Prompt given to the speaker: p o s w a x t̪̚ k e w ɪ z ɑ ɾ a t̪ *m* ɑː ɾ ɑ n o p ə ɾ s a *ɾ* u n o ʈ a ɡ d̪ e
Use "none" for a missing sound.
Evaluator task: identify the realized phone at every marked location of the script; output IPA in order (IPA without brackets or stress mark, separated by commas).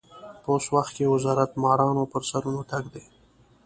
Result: m, ɾ